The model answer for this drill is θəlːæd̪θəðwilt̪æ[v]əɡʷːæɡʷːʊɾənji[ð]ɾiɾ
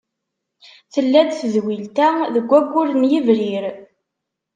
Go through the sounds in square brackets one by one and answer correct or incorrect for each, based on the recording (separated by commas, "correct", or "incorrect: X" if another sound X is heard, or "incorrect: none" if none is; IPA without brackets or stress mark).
incorrect: ð, incorrect: v